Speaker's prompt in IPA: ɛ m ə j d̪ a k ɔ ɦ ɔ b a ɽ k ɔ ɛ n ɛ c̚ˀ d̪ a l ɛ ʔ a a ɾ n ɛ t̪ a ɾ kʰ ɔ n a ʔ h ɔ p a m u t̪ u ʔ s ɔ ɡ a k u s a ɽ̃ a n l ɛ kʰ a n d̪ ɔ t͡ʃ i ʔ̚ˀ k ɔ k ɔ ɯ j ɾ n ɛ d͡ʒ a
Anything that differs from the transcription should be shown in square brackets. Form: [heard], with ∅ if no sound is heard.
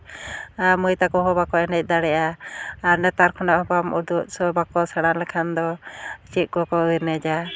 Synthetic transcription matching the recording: [a] m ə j [t̪] a k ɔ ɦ ɔ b a [∅] k ɔ ɛ n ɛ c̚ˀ d̪ a [ɽ] ɛ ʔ a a ɾ n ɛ t̪ a ɾ kʰ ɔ n a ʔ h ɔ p a m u [d̪] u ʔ s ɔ [b] a k [ɔ] s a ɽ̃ a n l ɛ kʰ a n d̪ ɔ t͡ʃ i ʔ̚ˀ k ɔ k ɔ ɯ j ɾ n ɛ d͡ʒ a